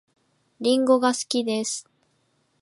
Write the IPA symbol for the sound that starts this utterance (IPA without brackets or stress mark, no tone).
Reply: ɾʲ